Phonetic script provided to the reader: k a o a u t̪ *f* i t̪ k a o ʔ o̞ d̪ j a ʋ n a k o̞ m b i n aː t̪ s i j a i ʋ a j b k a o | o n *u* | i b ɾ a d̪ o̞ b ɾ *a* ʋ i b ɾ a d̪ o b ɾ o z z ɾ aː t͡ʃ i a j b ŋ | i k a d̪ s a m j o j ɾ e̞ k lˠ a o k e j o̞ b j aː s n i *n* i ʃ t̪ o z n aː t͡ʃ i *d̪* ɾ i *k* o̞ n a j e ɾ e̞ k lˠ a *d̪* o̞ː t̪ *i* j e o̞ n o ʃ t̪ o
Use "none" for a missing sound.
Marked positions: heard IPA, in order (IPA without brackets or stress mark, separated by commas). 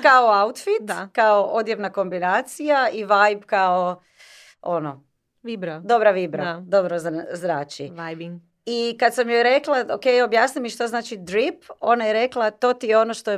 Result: f, o, a, m, d̪, p, t̪, i